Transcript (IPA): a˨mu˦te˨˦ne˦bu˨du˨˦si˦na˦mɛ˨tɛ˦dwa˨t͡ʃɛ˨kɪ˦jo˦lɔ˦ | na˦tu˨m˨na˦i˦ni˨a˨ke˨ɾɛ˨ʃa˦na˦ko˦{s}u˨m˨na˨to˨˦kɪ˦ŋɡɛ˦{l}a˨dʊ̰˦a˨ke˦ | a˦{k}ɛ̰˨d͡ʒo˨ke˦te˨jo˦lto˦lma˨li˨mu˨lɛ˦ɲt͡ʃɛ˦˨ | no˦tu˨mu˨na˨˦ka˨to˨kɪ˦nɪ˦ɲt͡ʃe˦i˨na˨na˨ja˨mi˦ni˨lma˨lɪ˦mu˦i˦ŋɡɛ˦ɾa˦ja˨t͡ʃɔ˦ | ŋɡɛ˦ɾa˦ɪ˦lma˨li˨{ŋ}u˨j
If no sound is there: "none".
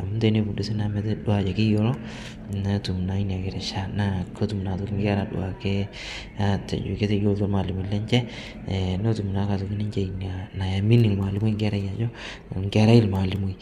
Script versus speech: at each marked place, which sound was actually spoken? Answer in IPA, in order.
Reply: t, ɾ, t, m

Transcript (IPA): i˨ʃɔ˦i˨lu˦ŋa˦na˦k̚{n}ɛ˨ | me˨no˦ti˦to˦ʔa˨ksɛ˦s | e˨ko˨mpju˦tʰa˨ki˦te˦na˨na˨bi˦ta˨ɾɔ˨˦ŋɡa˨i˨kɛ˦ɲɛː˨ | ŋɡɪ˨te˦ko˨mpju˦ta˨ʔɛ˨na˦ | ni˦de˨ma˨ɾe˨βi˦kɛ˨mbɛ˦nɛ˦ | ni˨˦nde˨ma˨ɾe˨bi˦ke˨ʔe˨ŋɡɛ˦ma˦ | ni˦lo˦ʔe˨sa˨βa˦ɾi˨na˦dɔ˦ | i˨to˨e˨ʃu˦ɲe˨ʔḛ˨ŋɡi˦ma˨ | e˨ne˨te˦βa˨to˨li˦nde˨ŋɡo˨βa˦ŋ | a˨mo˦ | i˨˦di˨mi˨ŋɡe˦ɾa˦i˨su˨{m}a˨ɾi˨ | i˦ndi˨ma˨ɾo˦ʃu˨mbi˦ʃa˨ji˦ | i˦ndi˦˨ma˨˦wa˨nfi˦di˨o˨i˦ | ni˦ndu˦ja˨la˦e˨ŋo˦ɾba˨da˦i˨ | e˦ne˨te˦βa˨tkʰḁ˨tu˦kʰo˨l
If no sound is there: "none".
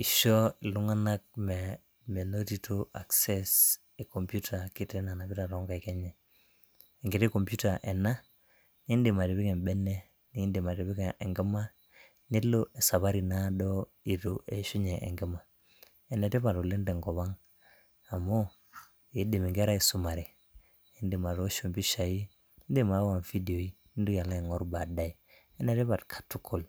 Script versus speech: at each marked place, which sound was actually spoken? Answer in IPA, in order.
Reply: m, m

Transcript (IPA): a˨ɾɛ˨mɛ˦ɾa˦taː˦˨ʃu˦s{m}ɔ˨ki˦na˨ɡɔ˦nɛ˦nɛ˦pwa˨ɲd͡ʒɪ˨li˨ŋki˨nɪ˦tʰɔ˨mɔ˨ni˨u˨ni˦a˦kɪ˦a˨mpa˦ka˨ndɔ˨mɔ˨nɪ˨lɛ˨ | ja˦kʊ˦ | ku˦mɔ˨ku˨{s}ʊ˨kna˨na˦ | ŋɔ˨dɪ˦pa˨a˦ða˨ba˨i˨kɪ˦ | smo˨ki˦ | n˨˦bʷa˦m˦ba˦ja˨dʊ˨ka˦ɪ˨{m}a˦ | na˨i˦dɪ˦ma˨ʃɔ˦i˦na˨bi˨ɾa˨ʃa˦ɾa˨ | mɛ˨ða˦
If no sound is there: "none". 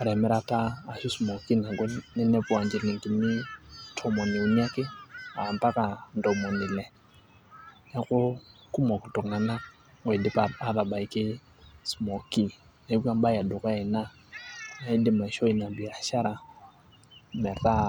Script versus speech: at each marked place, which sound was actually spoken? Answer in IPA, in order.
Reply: m, t, n

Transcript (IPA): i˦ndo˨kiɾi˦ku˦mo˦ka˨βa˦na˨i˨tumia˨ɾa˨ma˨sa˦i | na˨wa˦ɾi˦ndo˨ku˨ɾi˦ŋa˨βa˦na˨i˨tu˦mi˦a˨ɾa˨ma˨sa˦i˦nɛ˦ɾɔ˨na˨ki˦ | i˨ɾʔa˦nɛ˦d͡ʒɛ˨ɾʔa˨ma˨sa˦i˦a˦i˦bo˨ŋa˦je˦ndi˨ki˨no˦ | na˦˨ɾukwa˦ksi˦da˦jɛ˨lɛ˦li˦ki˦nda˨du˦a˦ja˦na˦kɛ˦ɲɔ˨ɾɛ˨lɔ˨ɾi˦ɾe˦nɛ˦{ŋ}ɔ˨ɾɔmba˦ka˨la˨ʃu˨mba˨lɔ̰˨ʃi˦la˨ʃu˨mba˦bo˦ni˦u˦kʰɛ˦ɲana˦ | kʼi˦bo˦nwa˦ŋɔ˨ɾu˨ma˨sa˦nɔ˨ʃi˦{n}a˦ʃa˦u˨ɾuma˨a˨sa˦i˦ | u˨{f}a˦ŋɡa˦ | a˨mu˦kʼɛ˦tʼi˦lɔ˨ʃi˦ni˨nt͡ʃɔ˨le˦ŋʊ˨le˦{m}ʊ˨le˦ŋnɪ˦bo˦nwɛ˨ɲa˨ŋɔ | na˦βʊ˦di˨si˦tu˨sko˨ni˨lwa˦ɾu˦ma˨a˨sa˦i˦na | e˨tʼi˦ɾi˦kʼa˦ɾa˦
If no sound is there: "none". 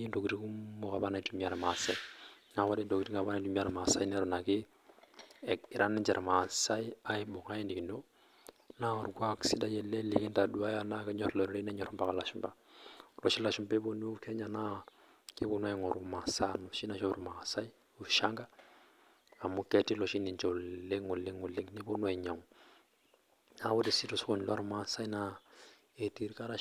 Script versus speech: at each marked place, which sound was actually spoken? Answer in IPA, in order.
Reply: ɲ, n, ʃ, ŋ

